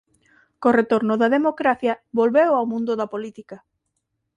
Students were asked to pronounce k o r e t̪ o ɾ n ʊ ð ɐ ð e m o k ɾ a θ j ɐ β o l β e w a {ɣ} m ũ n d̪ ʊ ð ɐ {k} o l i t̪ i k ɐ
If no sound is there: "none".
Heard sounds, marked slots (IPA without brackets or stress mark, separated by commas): w, p